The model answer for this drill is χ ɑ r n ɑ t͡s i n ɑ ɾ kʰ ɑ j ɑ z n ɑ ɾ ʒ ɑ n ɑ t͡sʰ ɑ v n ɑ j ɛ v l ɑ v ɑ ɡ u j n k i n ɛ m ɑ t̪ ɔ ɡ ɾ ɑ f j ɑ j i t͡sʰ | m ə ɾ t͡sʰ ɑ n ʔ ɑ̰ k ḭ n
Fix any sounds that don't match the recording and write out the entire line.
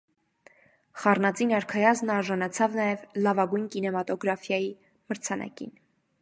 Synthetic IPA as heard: χ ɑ r n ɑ t͡s i n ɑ ɾ kʰ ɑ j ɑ z n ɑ ɾ ʒ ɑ n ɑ t͡sʰ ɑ v n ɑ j ɛ v l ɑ v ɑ ɡ u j n k i n ɛ m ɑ t̪ ɔ ɡ ɾ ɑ f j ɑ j i | m ə ɾ t͡sʰ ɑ n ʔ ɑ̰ k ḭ n